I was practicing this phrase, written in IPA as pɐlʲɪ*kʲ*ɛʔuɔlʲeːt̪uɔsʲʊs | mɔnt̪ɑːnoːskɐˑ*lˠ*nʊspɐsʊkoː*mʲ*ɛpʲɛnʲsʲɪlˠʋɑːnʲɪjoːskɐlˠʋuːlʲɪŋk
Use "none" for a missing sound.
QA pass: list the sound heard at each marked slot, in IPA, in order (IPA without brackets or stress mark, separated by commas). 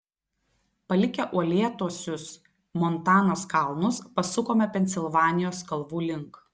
kʲ, lˠ, mʲ